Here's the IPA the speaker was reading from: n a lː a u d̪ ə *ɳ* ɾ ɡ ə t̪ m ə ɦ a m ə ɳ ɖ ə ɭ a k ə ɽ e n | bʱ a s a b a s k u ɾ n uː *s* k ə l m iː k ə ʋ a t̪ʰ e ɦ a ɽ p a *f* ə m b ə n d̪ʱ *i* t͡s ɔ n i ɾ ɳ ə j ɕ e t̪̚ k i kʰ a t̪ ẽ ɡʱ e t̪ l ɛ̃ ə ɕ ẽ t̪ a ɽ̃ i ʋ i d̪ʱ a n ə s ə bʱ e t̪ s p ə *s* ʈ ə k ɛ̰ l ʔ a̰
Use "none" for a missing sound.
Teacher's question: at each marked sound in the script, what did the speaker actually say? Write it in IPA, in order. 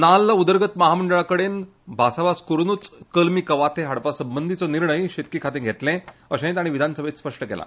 none, t͡s, s, i, ʂ

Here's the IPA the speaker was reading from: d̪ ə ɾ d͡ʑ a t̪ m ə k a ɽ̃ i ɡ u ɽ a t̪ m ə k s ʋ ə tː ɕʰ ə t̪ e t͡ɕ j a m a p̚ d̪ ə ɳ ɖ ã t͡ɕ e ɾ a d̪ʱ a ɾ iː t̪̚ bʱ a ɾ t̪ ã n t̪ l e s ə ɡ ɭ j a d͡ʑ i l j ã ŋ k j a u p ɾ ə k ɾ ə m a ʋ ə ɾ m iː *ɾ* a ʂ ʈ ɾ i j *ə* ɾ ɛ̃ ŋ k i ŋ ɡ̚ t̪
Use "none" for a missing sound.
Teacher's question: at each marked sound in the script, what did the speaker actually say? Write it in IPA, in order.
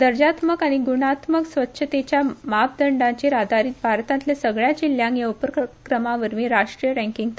ɾ, ə

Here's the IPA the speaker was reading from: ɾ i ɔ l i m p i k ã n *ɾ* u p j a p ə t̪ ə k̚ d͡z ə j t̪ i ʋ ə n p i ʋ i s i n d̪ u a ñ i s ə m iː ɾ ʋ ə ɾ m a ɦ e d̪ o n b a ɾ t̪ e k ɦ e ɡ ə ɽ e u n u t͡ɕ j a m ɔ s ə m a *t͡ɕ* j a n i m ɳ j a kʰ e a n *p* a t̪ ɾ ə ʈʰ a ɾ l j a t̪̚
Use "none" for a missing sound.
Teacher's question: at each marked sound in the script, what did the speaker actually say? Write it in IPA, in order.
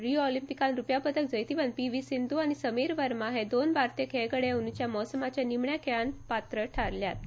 ɾ, t͡ɕ, p

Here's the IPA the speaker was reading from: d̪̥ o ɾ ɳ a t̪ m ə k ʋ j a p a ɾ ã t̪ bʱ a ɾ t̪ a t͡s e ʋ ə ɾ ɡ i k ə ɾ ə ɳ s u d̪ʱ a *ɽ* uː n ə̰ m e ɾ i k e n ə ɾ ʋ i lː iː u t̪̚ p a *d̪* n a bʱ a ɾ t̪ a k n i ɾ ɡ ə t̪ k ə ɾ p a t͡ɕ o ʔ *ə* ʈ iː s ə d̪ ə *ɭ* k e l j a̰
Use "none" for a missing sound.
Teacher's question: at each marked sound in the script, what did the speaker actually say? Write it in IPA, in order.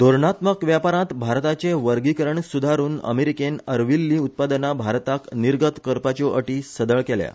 ɾ, d̪, ə, ɭ

